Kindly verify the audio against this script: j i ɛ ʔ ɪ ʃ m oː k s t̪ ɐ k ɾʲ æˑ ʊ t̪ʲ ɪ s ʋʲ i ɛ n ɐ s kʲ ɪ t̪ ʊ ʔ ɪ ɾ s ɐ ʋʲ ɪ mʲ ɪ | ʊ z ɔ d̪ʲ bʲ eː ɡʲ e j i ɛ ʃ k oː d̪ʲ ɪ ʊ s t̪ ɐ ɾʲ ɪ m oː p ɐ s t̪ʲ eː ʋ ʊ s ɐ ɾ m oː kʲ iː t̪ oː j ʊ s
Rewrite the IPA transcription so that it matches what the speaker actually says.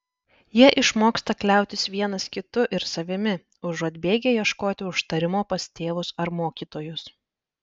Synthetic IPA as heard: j i ɛ ʔ ɪ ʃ m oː k s t̪ ɐ k lʲ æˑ ʊ t̪ʲ ɪ s ʋʲ i ɛ n ɐ s kʲ ɪ t̪ ʊ ʔ ɪ ɾ s ɐ ʋʲ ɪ mʲ ɪ | ʊ ʒ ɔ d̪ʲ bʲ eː ɡʲ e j i ɛ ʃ k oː t̪ʲ ɪ ʊ ʃ t̪ ɐ ɾʲ ɪ m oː p ɐ s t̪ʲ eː ʋ ʊ s ɐ ɾ m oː kʲ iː t̪ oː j ʊ s